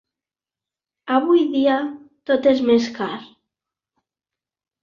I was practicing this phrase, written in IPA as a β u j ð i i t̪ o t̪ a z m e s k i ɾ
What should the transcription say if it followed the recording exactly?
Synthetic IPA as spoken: a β u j ð i a t̪ o t̪ e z m e s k a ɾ